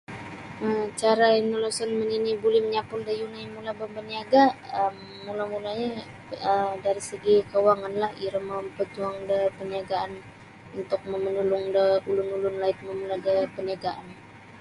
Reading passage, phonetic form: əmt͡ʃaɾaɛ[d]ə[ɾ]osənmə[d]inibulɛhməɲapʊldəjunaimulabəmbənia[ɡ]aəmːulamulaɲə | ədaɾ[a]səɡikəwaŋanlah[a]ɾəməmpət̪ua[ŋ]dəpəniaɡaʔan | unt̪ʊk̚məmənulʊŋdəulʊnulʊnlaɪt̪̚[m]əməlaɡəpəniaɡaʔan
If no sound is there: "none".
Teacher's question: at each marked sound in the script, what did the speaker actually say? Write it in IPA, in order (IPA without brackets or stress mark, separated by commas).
n, l, n, ɡ, i, i, ŋ, m